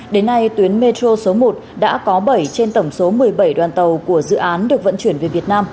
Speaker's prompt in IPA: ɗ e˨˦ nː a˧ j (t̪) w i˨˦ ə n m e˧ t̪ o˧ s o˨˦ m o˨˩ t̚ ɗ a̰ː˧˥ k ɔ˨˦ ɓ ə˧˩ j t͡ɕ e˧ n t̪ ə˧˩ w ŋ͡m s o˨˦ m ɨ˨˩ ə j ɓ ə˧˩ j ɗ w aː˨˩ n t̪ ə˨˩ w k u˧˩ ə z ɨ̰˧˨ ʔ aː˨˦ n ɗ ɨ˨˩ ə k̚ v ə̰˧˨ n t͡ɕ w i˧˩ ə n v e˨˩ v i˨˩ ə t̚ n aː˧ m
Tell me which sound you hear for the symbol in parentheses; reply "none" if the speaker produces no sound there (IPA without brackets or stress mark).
t̪